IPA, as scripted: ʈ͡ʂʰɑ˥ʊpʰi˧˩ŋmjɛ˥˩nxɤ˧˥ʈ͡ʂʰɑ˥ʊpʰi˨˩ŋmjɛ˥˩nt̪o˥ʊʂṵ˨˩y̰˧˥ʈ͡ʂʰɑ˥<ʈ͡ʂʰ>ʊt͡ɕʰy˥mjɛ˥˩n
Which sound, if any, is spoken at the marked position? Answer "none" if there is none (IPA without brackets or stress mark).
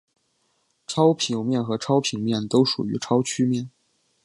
none